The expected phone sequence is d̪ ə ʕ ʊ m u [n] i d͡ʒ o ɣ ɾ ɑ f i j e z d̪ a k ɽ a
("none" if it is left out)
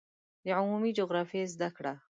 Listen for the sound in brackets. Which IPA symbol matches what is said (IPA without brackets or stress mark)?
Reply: m